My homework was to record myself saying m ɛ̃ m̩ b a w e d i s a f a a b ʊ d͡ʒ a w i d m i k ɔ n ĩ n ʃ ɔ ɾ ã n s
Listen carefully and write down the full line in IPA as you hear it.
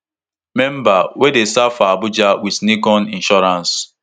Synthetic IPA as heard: m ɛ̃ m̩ b a w e d e s a f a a b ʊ d͡ʒ a w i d n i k ɔ n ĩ n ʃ ɔ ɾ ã n s

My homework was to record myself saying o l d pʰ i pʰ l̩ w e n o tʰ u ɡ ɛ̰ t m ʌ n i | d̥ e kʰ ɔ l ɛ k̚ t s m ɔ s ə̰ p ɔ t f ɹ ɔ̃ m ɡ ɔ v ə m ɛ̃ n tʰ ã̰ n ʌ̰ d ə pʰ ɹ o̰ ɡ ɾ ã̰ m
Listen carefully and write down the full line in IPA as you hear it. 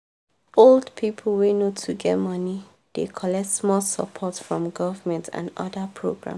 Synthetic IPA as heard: o l d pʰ i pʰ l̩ w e n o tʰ u ɡ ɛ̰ t m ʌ n i | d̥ e kʰ ɔ l ɛ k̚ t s m ɔ s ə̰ pʰ ɔ t f ɹ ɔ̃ m ɡ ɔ v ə m ɛ̃ n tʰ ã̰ n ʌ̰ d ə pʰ ɹ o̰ ɡ ɹ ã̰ m

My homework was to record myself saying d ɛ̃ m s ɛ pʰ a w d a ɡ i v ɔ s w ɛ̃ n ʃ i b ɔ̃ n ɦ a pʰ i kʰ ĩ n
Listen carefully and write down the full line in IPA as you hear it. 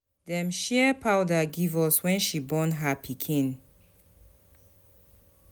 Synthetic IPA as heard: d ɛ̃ m ʃ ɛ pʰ a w d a ɡ i v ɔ s w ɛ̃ n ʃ i b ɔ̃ n ɦ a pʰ i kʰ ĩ n

